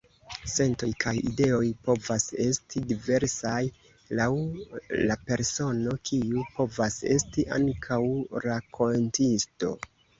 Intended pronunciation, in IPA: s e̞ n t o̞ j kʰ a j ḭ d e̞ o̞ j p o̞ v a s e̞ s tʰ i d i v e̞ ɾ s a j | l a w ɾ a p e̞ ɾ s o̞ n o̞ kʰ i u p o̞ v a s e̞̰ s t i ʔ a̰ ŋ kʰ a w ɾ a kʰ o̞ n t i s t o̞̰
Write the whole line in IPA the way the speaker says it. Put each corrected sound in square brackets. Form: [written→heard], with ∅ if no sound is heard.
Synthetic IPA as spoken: s e̞ n t o̞ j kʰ a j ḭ d e̞ o̞ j p o̞ v a s e̞ s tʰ i d i v e̞ ɾ s a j | l a w [ɾ→l] a p e̞ ɾ s o̞ n o̞ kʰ i u p o̞ v a s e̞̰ s t i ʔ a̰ ŋ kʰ a w ɾ a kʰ o̞ n t i s t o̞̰